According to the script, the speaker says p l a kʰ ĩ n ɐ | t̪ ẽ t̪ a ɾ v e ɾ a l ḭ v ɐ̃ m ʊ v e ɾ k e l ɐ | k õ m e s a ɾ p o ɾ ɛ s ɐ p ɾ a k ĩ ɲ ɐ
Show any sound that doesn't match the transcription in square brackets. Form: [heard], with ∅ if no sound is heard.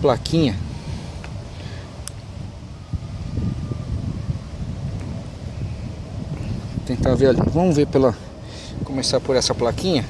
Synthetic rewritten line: p l a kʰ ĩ [ɲ] ɐ | t̪ ẽ t̪ a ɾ v e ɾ a l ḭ v ɐ̃ m ʊ v e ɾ [p] e l ɐ | k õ m e s a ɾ p o ɾ ɛ s ɐ p [l] a k ĩ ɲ ɐ